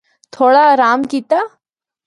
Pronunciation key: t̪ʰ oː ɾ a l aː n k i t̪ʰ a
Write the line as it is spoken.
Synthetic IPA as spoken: t̪ʰ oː ɽ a ɾ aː m k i t̪ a